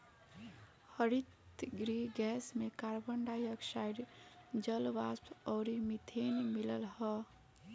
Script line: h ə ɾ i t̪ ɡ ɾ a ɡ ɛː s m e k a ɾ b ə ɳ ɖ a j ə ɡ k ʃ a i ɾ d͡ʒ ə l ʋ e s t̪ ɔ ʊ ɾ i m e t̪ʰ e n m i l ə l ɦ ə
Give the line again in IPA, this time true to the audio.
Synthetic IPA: h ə ɾ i t̪ ɡ ɾ i ɡ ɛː s m e k a ɾ b ə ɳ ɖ a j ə k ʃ a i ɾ d͡ʒ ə l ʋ a s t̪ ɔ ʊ ɾ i m i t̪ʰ e n m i l ə l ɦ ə